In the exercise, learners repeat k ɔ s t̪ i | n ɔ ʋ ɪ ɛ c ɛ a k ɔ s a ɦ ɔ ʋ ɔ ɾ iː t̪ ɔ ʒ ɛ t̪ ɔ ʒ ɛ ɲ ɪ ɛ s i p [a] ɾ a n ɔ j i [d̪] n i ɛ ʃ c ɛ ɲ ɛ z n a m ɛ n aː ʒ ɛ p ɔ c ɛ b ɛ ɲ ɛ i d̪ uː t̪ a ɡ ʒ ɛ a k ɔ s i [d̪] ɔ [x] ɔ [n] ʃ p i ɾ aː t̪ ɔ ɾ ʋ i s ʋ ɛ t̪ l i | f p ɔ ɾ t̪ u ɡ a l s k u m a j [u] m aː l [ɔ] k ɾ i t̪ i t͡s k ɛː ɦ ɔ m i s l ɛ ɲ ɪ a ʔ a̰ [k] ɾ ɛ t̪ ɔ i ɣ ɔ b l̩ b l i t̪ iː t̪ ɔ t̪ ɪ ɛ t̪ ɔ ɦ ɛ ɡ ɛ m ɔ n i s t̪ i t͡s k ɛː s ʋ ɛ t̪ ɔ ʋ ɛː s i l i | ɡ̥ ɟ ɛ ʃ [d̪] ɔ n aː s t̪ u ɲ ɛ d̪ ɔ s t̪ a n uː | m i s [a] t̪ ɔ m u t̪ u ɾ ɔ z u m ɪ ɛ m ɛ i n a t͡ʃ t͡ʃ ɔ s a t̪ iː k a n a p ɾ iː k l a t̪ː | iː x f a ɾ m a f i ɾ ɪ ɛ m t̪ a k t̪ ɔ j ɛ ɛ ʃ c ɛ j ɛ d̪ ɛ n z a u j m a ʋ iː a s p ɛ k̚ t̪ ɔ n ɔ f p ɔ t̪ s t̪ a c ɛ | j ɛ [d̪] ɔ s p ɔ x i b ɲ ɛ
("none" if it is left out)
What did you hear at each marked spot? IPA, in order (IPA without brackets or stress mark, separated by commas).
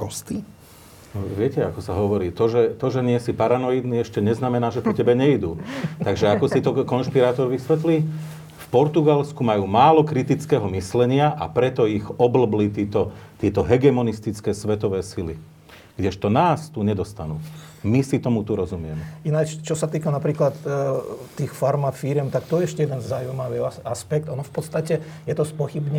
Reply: a, d̪, t̪, k, n, uː, ɔ, p, t̪, i, t̪